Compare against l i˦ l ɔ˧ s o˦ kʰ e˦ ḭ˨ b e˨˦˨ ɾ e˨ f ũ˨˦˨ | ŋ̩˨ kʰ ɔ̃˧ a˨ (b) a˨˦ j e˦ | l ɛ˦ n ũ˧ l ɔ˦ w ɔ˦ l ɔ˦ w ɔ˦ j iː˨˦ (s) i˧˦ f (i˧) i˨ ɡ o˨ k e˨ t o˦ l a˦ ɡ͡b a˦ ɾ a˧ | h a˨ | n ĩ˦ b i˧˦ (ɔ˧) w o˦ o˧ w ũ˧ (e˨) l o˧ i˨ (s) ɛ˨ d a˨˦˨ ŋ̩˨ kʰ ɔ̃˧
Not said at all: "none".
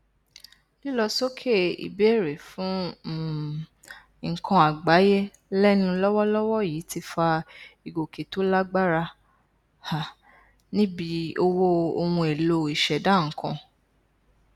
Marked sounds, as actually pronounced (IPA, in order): ɡ͡b, t, a˧, o˧, e˨, ʃ

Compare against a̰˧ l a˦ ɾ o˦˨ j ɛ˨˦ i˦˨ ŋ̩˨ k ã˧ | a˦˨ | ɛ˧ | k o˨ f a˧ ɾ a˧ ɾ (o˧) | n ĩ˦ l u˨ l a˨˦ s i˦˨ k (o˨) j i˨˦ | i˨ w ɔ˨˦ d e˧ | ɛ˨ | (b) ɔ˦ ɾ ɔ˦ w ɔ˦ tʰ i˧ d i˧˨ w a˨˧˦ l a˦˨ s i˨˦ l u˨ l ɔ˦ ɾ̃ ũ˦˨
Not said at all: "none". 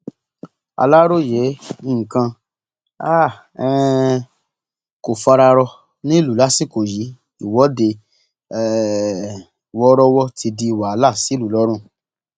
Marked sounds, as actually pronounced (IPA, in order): ɔ˧, o˨, w

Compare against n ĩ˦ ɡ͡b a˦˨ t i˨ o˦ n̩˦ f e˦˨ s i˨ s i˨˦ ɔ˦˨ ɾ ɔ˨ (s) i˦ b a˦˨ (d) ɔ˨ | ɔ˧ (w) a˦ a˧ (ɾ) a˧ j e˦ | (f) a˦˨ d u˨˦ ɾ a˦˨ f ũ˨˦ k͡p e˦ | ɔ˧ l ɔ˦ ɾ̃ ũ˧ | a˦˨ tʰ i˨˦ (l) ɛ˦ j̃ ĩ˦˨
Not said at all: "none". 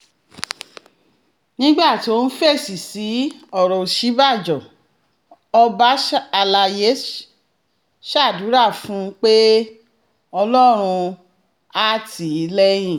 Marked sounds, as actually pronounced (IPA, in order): ʃ, d͡ʒ, b, l, ʃ, l

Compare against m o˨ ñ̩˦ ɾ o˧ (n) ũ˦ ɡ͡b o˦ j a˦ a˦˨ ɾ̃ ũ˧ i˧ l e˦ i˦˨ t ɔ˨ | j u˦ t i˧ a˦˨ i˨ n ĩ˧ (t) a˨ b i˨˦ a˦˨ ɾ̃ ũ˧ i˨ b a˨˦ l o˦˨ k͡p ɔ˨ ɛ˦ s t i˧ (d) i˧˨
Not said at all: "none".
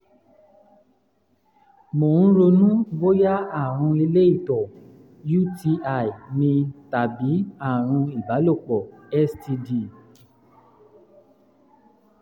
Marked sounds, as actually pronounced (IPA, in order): n, t, d

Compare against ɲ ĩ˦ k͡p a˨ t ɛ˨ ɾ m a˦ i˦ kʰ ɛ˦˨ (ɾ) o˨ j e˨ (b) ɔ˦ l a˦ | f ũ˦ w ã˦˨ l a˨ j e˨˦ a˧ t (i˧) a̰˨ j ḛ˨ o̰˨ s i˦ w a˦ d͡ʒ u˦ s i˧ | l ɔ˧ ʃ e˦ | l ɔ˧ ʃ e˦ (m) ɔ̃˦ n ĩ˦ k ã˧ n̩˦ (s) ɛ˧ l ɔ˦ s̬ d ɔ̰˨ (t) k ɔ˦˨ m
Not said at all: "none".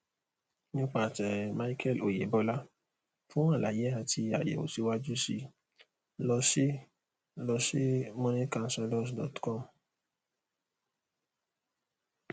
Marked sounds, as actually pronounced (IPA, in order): l, b, i˧, m, s, t

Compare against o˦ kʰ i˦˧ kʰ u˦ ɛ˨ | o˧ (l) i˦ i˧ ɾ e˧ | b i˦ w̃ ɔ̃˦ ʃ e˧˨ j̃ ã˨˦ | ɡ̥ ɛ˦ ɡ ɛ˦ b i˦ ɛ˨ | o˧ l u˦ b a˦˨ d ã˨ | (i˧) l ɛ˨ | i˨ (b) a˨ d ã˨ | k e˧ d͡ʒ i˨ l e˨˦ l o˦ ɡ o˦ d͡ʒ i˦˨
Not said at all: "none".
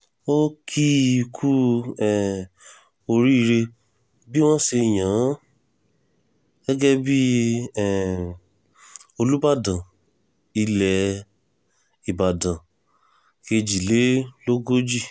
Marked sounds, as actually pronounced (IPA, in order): ɾ, i˧, b

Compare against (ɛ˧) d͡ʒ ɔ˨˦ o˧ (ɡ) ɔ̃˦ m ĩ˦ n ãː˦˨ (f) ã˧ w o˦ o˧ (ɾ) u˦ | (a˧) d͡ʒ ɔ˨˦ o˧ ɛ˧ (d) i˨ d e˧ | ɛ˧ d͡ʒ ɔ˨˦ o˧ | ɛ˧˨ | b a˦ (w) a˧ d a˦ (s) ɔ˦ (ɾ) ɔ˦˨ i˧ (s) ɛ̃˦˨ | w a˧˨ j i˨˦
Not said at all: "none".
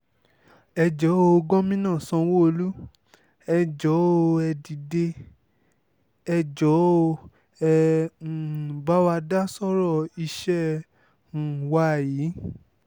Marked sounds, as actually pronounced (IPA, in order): ɛ˧, ɡ, s, l, ɛ˧, d, w, s, ɾ, ʃ

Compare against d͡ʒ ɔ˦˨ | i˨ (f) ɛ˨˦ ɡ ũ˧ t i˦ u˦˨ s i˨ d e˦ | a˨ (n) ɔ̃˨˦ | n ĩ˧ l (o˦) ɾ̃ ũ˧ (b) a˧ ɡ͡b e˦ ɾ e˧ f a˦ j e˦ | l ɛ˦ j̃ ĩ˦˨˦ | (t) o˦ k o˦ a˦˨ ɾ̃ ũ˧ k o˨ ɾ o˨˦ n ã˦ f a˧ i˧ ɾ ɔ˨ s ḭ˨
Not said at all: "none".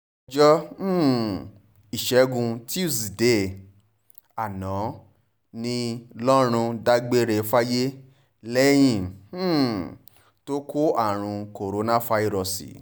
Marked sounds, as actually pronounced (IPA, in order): ʃ, n, ɔ˦, d, t

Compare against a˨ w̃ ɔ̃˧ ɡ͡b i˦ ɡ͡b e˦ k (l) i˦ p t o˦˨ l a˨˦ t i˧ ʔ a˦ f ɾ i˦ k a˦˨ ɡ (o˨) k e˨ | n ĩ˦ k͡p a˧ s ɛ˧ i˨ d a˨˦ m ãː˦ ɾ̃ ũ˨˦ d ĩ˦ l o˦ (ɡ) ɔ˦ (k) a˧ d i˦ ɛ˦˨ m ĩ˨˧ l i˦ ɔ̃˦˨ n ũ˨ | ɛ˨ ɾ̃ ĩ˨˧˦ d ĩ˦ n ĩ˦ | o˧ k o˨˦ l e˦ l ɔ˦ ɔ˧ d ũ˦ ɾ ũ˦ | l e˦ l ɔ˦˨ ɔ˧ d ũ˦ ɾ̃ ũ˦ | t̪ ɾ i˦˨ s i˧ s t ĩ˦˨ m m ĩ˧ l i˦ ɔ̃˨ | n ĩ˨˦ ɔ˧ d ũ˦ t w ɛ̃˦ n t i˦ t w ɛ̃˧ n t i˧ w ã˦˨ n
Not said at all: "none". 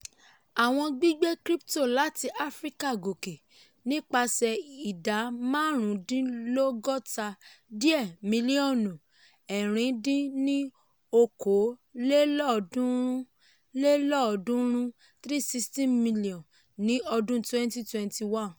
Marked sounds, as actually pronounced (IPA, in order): ɾ, o˨, ɡ, t

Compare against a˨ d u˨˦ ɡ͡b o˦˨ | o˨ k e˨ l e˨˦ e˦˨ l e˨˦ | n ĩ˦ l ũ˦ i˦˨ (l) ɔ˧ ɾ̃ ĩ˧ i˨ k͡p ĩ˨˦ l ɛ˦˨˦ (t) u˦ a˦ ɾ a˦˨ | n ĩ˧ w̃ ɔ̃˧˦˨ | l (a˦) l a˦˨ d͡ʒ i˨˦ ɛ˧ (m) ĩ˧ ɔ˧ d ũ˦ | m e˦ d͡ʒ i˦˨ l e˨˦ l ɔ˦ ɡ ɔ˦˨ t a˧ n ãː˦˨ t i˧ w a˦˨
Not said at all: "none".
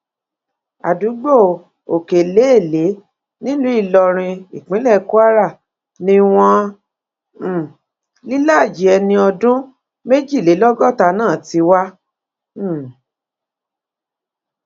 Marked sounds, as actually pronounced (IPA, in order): l, k, i˦, n

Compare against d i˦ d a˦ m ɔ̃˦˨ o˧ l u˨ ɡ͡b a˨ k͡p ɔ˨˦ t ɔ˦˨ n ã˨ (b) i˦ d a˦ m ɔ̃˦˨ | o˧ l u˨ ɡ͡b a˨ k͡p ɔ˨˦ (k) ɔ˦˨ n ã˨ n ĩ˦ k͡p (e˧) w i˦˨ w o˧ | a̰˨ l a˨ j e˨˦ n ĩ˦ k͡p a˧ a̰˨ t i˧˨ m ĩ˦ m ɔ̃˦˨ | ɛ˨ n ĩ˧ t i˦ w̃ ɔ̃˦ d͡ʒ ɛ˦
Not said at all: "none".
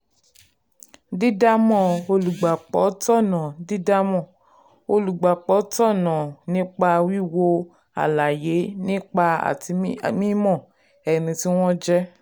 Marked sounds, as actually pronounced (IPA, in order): d, t, a˧

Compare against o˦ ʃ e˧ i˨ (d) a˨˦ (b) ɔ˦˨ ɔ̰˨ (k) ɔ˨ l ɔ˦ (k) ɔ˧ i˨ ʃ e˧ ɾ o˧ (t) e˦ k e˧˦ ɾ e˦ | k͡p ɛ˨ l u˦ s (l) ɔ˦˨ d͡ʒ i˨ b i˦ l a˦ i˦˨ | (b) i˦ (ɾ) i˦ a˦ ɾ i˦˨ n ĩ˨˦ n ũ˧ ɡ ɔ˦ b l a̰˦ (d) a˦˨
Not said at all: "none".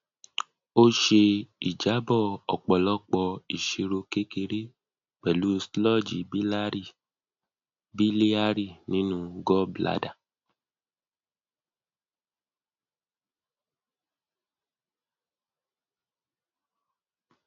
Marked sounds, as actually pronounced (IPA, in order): d͡ʒ, b, k͡p, k͡p, k, l, b, l, d

